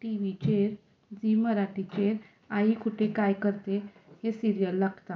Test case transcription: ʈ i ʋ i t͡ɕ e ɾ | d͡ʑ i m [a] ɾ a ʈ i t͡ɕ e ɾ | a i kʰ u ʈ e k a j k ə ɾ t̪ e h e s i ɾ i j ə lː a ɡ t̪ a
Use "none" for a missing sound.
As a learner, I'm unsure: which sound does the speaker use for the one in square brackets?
ə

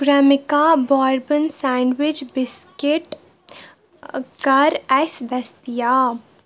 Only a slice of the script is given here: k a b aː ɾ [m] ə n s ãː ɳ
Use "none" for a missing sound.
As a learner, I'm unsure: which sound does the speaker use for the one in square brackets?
b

